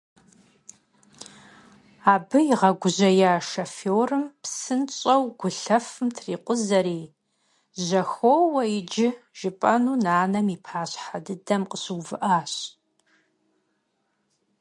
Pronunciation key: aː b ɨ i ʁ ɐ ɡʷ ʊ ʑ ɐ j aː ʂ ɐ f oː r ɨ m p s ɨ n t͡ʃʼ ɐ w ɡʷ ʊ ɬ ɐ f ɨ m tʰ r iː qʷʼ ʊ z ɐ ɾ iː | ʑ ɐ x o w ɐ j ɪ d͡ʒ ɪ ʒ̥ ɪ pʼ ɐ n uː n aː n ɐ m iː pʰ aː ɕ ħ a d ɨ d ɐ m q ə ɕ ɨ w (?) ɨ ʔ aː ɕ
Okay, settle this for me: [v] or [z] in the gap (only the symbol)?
v